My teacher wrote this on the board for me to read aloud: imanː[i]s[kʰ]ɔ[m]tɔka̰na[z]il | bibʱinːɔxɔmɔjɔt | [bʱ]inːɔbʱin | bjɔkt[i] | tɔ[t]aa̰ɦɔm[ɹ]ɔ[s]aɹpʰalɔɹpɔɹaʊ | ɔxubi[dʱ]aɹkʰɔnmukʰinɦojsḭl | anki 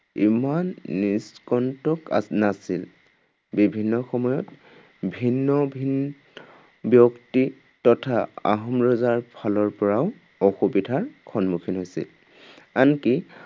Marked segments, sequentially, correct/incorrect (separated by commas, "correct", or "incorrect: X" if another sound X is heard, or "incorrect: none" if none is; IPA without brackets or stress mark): correct, incorrect: k, incorrect: n, incorrect: s, correct, correct, incorrect: tʰ, correct, incorrect: z, correct